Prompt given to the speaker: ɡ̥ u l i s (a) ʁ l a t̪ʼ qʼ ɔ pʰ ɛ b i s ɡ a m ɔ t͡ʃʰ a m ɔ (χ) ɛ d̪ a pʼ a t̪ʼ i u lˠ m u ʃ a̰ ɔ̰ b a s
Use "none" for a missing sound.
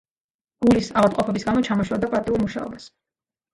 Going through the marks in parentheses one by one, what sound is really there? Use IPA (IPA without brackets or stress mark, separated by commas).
a, ʃ